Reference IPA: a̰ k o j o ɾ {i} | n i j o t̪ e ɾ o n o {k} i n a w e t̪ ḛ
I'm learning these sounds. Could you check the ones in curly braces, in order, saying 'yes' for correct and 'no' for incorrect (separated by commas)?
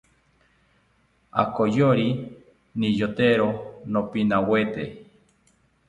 yes, no